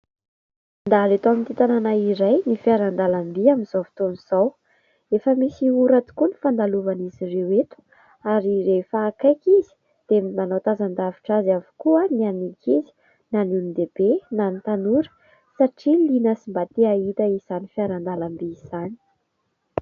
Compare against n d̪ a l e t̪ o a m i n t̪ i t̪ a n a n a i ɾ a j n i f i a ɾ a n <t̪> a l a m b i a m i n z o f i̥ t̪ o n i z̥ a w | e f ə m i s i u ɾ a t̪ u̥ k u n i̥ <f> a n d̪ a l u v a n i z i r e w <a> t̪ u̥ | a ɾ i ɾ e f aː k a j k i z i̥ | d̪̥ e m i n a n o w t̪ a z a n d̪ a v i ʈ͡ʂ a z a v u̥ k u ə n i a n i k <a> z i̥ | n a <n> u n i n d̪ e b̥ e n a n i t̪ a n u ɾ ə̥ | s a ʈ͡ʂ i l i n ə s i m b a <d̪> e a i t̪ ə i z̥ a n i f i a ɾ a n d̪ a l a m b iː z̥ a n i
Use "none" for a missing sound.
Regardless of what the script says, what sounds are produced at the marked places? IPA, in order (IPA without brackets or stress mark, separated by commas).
d̪, f, e, i, n, t̪